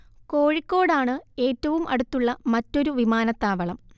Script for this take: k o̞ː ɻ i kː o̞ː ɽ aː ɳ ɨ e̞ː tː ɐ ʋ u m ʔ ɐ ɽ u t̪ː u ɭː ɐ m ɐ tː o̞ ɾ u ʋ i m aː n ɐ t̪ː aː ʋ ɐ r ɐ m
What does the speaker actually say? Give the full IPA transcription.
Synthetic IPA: k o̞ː ɻ i kː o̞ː ɽ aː ɳ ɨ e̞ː tː ɐ ʋ u m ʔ ɐ ɽ u t̪ː u ɭː ɐ m ɐ tː o̞ ɾ u ʋ i m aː n ɐ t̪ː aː ʋ ɐ ɭ ɐ m